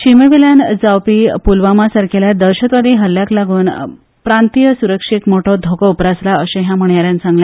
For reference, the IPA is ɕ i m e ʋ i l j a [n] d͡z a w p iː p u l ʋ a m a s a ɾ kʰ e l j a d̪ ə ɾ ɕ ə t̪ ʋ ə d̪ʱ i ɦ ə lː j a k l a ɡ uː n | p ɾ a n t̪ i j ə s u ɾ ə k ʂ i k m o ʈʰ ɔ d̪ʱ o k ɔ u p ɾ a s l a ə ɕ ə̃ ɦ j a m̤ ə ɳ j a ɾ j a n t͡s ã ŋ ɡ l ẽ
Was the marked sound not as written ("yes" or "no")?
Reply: no